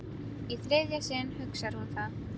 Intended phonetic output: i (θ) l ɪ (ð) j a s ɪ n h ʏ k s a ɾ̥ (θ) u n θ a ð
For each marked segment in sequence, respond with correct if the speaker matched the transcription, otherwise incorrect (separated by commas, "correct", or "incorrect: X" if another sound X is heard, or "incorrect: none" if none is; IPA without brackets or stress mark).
correct, correct, incorrect: h